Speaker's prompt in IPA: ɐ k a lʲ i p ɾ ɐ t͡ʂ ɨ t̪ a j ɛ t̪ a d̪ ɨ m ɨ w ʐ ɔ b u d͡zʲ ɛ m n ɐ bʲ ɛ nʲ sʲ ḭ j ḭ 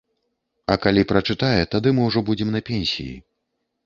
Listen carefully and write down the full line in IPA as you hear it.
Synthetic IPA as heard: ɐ k a lʲ i p ɾ ɐ t͡ʂ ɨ t̪ a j ɛ t̪ a d̪ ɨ m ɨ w ʐ ɔ b u d͡zʲ ɛ m n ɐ pʲ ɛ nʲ sʲ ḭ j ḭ